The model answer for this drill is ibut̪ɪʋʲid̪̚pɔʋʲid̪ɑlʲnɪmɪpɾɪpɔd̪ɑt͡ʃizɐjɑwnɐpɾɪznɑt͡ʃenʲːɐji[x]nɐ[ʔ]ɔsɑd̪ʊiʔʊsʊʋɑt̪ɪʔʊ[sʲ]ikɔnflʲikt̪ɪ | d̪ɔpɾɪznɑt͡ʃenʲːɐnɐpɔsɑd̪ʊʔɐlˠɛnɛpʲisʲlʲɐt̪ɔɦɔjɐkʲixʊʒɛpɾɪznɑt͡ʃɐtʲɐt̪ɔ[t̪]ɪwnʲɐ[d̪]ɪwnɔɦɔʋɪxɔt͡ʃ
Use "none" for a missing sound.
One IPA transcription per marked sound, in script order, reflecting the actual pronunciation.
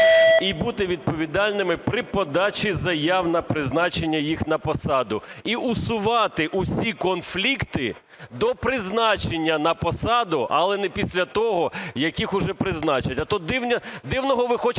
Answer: x, p, sʲ, d̪, d̪

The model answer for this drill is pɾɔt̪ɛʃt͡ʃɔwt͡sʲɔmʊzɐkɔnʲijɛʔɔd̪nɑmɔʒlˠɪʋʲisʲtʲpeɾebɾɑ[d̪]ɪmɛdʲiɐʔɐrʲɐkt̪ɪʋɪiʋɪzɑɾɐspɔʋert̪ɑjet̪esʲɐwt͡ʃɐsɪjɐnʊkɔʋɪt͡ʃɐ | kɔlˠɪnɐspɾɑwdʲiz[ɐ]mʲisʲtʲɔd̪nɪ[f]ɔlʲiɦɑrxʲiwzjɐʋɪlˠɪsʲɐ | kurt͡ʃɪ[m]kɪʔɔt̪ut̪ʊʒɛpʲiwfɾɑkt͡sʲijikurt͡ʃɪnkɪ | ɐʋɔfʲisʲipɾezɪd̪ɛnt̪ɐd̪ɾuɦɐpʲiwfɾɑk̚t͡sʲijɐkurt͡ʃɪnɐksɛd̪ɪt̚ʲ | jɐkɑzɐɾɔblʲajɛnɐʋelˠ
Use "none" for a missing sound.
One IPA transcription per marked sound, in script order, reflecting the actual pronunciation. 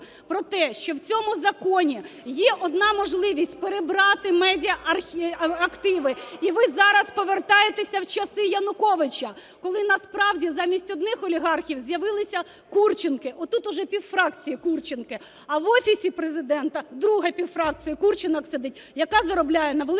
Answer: t̪, ɑ, x, n

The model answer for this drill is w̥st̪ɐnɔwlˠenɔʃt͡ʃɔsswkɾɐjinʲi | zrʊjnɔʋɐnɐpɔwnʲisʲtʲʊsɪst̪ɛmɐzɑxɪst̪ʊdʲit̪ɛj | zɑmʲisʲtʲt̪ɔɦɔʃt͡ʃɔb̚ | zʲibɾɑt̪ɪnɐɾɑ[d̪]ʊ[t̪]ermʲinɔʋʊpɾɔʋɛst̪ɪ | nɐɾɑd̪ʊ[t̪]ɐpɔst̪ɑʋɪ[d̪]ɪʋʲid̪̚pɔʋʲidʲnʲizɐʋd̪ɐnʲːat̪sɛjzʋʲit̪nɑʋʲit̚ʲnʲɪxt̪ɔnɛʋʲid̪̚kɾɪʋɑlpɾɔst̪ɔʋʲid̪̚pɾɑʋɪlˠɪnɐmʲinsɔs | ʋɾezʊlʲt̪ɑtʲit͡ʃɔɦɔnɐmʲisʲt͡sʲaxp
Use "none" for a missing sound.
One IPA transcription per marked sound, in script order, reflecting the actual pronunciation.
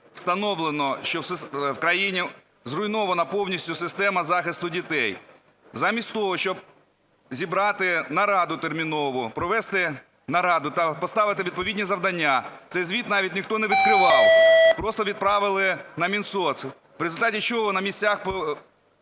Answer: d̪, t̪, t̪, t̪

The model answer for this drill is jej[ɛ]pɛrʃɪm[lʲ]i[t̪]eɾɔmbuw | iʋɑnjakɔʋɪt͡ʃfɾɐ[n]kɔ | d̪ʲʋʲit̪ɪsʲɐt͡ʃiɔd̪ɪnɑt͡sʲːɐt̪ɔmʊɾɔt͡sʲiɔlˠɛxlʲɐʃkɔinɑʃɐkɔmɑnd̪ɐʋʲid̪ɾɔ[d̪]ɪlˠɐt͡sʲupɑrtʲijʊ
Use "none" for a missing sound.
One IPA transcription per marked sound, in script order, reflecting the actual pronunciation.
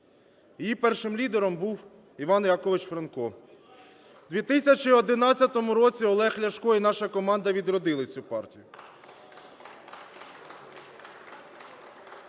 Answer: i, lʲ, d̪, n, d̪

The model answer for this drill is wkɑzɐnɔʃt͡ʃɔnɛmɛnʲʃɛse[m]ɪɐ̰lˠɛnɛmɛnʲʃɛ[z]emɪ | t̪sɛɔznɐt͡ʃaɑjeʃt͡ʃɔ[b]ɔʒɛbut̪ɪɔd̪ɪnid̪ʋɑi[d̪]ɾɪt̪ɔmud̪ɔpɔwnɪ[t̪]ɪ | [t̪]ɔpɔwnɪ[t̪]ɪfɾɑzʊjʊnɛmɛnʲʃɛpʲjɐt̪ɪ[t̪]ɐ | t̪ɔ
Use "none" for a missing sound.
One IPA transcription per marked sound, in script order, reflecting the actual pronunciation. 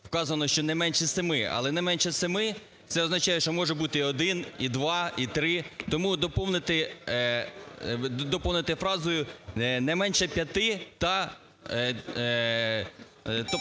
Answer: m, s, m, t̪, t̪, d̪, t̪, t̪

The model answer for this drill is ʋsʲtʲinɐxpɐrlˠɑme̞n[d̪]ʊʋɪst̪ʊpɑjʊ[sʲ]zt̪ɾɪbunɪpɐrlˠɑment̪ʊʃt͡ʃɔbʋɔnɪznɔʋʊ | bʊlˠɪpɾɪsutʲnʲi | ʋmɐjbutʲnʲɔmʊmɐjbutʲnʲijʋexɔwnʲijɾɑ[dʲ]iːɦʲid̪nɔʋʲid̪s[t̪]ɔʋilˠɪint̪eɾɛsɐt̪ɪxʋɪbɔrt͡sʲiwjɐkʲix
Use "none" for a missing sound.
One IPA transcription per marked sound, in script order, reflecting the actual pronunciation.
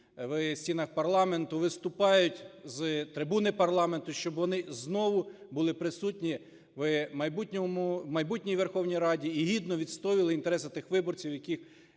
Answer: t̪, tʲ, dʲ, t̪

